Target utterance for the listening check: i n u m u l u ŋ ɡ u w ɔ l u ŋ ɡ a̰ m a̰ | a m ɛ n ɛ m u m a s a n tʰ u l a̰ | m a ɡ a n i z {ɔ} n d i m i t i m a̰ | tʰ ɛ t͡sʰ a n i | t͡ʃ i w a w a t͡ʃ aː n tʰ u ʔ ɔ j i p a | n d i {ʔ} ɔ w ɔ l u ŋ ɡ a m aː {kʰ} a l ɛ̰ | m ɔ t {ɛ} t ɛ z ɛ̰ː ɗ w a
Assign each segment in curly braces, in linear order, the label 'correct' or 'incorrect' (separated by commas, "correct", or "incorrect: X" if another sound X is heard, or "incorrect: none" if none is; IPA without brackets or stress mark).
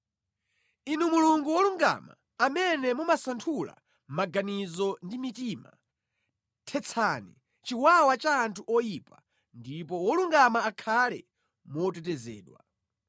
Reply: correct, incorrect: p, correct, correct